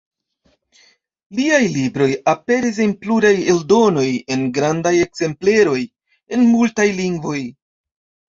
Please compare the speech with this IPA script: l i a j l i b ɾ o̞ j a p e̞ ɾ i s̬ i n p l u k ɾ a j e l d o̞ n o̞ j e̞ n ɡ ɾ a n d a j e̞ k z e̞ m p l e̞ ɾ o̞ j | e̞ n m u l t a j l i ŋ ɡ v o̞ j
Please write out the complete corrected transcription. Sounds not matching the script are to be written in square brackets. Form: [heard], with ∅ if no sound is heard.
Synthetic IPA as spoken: l i a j l i b ɾ o̞ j a p e̞ ɾ i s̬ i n p l u [∅] ɾ a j e l d o̞ n o̞ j e̞ n ɡ ɾ a n d a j e̞ k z e̞ m p l e̞ ɾ o̞ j | e̞ n m u l t a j l i ŋ ɡ v o̞ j